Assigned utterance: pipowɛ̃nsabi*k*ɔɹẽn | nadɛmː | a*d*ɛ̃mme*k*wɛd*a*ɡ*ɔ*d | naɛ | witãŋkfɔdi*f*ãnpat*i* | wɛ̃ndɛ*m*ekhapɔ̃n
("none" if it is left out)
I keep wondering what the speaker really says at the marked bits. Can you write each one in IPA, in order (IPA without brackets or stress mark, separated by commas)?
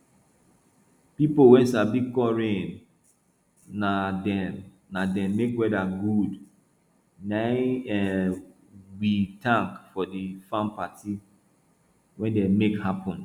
k, d, k, a, u, f, i, m